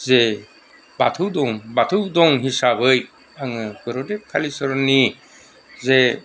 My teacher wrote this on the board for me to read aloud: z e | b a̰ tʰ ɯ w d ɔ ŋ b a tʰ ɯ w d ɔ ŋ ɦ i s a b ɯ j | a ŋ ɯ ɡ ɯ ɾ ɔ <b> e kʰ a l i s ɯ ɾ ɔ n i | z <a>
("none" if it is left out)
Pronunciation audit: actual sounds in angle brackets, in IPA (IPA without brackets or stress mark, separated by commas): d, e